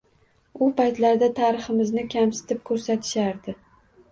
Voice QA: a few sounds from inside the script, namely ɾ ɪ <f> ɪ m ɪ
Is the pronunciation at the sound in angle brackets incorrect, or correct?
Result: incorrect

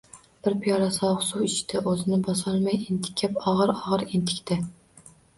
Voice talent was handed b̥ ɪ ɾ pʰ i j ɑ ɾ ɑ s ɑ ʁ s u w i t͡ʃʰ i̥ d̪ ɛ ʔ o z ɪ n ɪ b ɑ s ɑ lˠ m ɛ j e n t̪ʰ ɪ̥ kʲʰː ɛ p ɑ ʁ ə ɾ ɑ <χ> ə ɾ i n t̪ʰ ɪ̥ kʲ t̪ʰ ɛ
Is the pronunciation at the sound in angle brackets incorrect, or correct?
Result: incorrect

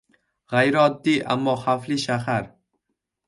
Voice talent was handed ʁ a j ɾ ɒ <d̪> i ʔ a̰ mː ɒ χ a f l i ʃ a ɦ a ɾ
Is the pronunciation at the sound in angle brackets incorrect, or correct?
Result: incorrect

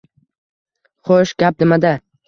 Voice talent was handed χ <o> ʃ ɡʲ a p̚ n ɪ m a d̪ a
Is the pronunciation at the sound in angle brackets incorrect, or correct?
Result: correct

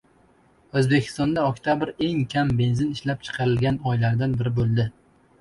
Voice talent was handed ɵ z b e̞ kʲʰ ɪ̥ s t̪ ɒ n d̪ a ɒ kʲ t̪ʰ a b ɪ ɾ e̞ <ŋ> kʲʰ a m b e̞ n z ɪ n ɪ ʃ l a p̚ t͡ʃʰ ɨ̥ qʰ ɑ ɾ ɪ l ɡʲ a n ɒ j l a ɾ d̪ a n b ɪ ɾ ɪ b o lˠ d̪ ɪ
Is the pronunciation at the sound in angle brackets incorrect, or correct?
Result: correct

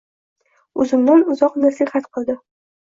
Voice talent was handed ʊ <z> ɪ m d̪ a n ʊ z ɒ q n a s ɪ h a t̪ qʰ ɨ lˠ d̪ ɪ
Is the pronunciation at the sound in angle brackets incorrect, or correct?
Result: correct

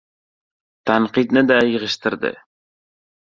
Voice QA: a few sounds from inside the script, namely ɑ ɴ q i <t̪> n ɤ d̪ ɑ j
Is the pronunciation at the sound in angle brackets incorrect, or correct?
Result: correct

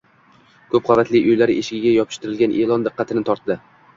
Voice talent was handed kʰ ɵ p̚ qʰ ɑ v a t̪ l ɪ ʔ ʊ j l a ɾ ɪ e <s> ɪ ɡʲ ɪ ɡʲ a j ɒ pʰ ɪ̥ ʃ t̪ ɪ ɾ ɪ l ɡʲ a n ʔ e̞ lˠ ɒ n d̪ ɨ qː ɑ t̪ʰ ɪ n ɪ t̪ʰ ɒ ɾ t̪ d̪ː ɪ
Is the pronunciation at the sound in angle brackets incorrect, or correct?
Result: incorrect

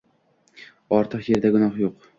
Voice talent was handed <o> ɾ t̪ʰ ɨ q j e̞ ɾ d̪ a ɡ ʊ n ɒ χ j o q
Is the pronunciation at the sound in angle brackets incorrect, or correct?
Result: incorrect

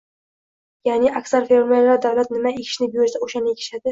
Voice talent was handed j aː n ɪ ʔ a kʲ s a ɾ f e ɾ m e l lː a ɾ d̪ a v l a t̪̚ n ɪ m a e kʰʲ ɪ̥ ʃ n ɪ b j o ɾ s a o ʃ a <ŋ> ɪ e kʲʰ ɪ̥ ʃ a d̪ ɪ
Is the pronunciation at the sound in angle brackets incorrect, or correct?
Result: incorrect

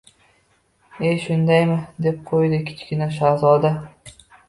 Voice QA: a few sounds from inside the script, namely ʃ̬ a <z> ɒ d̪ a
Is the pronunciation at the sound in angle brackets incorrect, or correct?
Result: correct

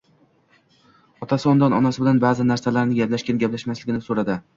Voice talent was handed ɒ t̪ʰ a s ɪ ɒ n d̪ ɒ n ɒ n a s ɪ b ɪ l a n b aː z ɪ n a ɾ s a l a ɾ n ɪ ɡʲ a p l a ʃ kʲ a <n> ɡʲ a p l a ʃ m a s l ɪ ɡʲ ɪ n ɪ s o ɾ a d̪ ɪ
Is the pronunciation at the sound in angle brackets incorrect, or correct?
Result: correct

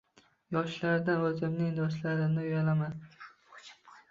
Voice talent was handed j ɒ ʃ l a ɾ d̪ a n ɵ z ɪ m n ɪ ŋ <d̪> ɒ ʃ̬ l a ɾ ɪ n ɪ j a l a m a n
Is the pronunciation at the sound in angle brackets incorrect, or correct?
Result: correct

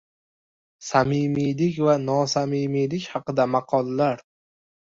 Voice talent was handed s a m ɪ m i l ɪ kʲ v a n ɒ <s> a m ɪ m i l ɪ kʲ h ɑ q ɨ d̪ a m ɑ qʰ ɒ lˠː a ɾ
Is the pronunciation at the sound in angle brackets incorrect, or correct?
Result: correct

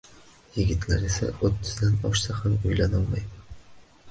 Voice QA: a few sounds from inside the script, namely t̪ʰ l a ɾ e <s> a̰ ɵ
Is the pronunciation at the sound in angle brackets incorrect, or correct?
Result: correct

